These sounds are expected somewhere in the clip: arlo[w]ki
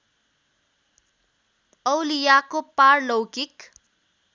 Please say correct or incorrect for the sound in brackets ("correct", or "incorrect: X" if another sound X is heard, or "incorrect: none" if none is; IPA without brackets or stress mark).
correct